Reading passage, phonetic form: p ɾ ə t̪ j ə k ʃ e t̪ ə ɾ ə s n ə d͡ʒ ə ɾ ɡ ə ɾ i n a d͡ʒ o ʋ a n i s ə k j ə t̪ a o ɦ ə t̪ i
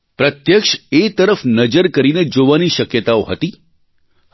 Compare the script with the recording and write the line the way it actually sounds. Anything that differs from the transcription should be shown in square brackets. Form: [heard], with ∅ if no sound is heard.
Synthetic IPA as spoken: p ɾ ə t̪ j ə k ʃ e t̪ ə ɾ ə [f] n ə d͡ʒ ə ɾ [k] ə ɾ i n [e] d͡ʒ o ʋ a n i [ʃ] ə k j ə t̪ a o ɦ ə t̪ i